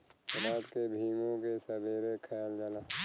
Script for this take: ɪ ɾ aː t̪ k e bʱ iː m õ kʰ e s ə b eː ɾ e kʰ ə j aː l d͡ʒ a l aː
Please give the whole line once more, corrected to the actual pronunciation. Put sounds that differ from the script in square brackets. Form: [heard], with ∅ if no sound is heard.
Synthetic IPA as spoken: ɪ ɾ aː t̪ k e bʱ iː m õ [k] e s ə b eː ɾ e kʰ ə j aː l d͡ʒ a l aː